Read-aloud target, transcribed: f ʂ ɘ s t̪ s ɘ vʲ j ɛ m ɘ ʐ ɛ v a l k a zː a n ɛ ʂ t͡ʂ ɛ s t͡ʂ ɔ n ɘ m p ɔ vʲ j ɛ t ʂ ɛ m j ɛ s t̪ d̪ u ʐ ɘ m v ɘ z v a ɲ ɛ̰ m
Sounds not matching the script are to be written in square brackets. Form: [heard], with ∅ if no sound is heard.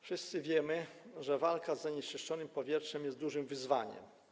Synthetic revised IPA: f ʂ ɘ s t̪ s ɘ vʲ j ɛ m ɘ ʐ ɛ v a l k a zː a [ɲ] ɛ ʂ t͡ʂ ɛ [ʂ] t͡ʂ ɔ n ɘ m p ɔ vʲ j ɛ t ʂ ɛ m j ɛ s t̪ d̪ u ʐ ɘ m v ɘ z v a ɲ ɛ̰ m